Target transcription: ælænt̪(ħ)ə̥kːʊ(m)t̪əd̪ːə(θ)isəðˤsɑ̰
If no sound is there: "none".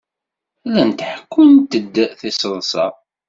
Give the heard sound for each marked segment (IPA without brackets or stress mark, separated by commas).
ħ, n, θ